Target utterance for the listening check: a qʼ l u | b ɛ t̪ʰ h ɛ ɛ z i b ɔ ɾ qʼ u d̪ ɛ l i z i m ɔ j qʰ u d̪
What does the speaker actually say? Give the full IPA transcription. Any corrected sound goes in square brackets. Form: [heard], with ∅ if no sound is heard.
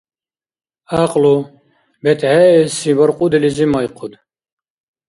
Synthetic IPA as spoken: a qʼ l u | b ɛ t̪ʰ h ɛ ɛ [s] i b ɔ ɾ qʼ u d̪ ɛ l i z i m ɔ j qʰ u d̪